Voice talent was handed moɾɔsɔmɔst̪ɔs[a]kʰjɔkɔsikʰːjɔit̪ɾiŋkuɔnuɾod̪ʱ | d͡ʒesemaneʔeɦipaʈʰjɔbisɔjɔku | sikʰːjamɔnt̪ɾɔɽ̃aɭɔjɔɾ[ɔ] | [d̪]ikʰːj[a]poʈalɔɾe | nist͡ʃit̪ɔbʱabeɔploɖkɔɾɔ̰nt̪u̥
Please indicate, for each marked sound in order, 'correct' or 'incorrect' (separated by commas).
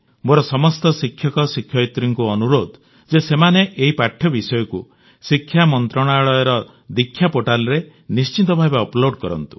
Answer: incorrect, correct, correct, correct